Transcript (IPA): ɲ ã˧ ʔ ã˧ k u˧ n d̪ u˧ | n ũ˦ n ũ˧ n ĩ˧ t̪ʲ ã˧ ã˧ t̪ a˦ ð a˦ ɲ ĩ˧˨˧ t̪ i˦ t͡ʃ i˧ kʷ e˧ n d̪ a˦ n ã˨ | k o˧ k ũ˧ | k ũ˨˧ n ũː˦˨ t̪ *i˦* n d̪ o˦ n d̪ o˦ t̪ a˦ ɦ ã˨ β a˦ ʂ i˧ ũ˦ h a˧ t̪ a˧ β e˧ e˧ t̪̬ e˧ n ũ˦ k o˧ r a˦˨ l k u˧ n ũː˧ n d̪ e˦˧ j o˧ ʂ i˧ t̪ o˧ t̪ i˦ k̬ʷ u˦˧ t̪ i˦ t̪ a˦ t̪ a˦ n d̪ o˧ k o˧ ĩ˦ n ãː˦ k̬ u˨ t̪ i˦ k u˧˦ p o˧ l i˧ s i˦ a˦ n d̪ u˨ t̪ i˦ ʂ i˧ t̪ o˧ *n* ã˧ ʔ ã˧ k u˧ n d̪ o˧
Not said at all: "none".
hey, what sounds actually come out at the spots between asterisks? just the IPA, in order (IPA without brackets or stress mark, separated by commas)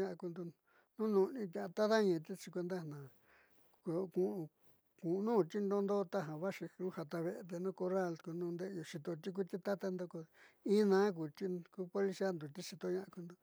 i˦, ɲ